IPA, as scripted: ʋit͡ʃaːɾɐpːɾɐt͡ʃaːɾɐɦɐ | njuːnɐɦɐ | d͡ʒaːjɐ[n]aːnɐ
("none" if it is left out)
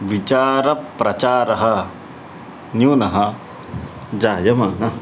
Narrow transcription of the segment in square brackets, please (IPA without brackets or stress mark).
m